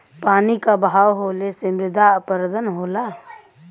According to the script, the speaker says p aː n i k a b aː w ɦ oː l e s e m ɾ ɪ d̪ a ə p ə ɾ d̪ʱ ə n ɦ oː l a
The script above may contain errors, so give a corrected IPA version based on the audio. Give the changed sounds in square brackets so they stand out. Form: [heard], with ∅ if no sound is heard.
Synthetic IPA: p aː n i k a b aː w ɦ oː l e s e m ɾ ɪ d̪ a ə p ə ɾ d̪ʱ ə n ɦ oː l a

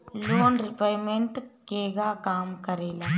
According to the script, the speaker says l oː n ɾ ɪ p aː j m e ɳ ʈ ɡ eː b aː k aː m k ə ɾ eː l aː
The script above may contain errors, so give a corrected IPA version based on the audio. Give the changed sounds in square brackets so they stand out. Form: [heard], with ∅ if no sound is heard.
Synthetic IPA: l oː n ɾ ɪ p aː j m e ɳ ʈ [k] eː [ɡ] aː k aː m k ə ɾ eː l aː

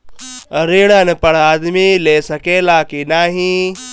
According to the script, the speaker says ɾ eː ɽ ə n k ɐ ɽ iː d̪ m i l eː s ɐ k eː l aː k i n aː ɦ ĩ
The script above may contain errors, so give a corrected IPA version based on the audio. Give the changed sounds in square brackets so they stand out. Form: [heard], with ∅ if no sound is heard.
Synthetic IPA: ɾ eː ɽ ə n [p] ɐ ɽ [aː] d̪ m i l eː s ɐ k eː l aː k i n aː ɦ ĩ

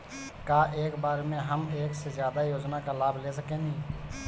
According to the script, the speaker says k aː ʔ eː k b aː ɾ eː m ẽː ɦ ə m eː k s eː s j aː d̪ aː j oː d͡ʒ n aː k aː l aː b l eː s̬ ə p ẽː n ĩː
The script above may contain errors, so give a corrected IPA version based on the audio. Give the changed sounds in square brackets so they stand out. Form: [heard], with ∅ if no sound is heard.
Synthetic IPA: k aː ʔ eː k b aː ɾ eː m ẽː ɦ ə m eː k s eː [z] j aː d̪ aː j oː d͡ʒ n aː k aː l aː b l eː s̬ ə [k] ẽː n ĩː

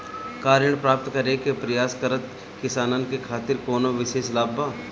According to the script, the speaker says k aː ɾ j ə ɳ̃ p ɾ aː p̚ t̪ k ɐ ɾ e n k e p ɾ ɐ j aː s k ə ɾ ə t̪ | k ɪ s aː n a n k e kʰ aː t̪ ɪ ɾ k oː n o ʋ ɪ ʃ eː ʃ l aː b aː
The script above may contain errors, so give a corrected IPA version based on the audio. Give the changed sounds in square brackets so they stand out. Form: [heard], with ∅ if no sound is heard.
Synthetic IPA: k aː ɾ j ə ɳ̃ p ɾ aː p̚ t̪ k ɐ ɾ e [∅] k e p ɾ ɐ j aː s k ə ɾ ə t̪ | k ɪ s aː n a n k e kʰ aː t̪ ɪ ɾ k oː n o ʋ ɪ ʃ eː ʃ l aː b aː

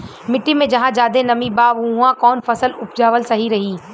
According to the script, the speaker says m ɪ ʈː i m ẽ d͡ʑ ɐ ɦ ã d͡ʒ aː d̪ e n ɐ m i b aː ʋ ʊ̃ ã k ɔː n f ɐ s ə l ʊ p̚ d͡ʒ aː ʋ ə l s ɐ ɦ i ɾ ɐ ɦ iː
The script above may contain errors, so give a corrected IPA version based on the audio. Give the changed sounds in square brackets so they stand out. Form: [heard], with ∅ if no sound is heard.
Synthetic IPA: m ɪ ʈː i m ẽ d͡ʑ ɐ ɦ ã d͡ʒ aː d̪ e n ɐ m i b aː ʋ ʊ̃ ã k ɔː n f ɐ s ə l ʊ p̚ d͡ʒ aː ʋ ə l s ɐ ɦ i ɾ ɐ ɦ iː

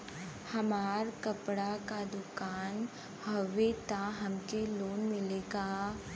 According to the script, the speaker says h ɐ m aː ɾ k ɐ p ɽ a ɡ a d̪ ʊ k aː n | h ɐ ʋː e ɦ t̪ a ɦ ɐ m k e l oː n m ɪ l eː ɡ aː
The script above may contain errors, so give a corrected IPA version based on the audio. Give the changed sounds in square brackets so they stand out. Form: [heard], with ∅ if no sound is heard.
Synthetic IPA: h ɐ m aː ɾ k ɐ p ɽ a [k] a d̪ ʊ k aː n | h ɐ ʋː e [∅] t̪ a ɦ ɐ m k e l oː n m ɪ l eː ɡ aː

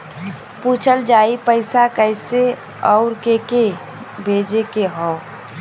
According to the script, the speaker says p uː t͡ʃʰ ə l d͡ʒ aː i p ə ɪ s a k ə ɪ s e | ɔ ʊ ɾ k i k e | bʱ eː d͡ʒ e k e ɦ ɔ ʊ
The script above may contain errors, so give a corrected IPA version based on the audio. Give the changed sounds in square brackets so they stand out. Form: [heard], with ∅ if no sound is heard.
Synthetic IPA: p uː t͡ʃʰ ə l d͡ʒ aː i p ə ɪ s a k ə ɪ s e | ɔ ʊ ɾ k [e] k e | bʱ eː d͡ʒ e k e ɦ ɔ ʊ

